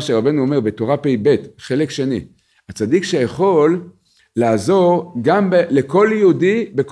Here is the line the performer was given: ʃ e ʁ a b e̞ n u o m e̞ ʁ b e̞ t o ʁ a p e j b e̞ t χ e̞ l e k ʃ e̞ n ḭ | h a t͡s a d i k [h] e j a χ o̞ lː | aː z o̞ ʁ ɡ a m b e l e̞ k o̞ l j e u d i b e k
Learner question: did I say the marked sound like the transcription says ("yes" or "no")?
no